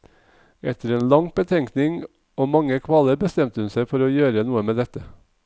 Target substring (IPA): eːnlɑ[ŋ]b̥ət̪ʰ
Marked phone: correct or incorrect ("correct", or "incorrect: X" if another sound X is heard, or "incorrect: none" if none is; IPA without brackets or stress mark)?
correct